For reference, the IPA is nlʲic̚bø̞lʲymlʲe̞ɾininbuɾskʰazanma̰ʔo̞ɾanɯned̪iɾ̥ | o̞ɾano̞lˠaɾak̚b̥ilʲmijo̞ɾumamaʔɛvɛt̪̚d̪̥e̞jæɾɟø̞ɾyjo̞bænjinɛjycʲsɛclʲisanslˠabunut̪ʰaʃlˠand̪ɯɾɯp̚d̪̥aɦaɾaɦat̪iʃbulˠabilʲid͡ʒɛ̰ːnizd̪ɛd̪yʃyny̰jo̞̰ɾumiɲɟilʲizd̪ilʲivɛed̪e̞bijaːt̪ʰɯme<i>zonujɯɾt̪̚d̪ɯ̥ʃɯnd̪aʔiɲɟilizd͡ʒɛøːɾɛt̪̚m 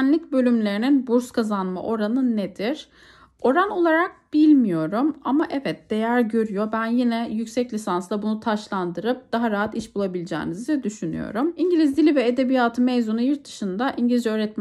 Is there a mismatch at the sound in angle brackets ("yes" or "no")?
yes